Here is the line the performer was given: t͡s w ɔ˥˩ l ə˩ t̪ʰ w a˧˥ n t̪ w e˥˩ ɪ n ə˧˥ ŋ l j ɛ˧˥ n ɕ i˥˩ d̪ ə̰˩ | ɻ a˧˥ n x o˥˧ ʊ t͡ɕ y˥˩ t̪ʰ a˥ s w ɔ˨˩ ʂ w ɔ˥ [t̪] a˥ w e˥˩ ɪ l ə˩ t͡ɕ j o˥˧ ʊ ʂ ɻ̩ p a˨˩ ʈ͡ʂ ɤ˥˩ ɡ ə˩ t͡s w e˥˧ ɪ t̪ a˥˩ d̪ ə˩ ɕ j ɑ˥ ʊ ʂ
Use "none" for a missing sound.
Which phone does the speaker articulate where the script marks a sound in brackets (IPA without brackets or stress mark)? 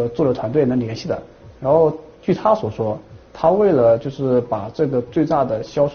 t̪ʰ